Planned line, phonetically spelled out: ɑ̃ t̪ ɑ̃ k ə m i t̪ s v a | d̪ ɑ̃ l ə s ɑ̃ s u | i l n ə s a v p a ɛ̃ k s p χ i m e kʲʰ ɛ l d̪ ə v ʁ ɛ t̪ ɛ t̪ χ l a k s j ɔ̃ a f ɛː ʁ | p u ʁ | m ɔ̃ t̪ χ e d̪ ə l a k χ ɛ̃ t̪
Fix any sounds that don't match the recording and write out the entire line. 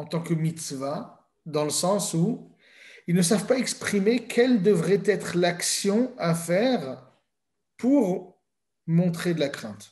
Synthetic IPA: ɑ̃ t̪ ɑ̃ k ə m i t̪ s v a | d̪ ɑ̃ l ə s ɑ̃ s u | i l n ə s a v p a ɛ k s p χ i m e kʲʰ ɛ l d̪ ə v ʁ ɛ t̪ ɛ t̪ χ l a k s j ɔ̃ a f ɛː ʁ | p u ʁ | m ɔ̃ t̪ χ e d̪ ə l a k χ ɛ̃ t̪